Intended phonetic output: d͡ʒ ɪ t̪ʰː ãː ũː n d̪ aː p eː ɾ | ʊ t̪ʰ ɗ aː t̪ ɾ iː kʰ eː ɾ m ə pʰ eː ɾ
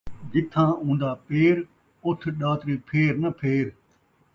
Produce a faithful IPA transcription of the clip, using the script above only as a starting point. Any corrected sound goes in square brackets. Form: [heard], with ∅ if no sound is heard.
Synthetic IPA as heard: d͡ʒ ɪ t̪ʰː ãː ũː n d̪ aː p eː ɾ | ʊ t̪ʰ ɗ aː t̪ ɾ iː [pʰ] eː ɾ [n] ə pʰ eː ɾ